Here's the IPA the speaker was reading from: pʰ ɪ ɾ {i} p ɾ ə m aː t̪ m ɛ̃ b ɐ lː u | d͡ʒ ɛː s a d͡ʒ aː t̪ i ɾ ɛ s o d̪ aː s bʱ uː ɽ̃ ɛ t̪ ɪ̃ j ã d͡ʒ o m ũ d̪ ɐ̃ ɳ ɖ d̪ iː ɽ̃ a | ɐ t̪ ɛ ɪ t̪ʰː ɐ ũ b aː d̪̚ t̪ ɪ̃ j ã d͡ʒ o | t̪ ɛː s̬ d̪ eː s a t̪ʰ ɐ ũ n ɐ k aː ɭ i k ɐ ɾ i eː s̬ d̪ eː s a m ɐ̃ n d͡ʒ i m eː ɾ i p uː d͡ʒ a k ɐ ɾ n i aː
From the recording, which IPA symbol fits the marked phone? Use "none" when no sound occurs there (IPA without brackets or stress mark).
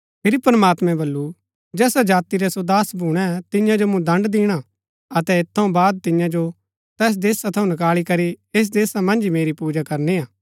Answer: i